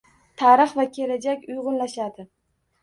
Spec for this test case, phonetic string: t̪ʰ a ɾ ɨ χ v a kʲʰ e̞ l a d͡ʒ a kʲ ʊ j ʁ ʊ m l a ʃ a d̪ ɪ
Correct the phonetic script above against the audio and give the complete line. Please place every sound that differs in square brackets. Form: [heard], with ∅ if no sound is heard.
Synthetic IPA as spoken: t̪ʰ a ɾ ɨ χ v a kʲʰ e̞ l a d͡ʒ a kʲ ʊ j ʁ ʊ [n] l a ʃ a d̪ ɪ